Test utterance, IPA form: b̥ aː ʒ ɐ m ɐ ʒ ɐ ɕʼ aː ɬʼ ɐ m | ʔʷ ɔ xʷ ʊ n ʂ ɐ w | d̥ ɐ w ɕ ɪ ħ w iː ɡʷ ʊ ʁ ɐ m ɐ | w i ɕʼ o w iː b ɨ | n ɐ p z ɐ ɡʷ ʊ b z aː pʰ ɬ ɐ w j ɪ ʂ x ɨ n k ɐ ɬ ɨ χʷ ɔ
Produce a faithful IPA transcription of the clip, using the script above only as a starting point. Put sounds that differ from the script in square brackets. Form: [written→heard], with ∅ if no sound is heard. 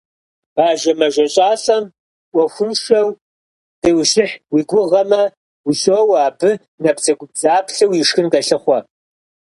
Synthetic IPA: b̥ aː ʒ ɐ m ɐ ʒ ɐ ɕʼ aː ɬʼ ɐ m | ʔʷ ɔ xʷ ʊ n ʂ ɐ w | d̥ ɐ w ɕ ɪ ħ w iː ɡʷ ʊ ʁ ɐ m ɐ | w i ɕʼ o w [iː→aː] b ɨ | n ɐ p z ɐ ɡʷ ʊ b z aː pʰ ɬ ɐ w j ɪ ʂ x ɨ n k ɐ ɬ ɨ χʷ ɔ